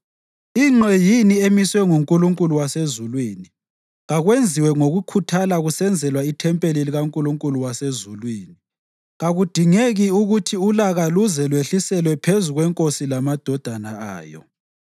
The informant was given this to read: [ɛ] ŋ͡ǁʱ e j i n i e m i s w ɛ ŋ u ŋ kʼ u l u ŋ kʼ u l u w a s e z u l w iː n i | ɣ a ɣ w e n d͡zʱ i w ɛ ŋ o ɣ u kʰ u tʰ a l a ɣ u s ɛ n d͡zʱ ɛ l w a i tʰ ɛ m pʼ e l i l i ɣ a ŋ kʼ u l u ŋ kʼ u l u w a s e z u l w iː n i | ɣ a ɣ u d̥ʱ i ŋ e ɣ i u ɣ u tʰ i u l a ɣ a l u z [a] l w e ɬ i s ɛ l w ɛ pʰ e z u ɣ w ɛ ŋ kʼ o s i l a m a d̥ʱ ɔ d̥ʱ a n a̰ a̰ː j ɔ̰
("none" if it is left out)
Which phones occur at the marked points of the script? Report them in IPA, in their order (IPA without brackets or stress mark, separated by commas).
i, ɛ